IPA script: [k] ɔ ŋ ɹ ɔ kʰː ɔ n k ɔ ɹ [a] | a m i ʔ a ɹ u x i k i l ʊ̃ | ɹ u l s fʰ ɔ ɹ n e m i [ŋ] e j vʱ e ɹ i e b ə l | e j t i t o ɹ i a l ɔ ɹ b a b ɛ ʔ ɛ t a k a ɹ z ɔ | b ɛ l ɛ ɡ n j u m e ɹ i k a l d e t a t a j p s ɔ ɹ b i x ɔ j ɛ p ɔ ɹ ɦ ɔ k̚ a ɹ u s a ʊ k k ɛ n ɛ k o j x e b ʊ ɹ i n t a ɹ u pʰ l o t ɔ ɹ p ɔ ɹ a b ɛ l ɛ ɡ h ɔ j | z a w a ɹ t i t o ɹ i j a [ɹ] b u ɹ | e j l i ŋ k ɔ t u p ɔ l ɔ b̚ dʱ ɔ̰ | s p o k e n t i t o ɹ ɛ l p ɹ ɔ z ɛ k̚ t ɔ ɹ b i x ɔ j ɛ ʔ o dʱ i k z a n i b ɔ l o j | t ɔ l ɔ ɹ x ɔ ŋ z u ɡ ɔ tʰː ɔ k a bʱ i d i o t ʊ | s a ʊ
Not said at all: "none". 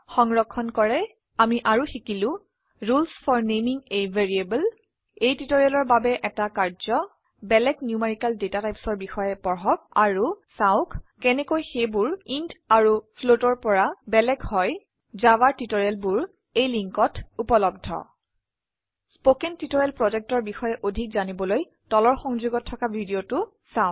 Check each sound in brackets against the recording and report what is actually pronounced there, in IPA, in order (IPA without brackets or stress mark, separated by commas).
x, ɛ, ŋ, l